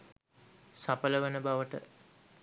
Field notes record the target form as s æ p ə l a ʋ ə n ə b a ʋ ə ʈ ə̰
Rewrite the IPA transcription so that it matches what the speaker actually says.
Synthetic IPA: s a p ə l ə ʋ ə n ə b a ʋ ə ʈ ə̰